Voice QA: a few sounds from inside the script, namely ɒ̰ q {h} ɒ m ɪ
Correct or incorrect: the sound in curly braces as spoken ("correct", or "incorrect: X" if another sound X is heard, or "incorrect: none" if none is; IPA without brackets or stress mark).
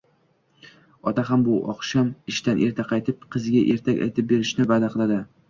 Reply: incorrect: ʃ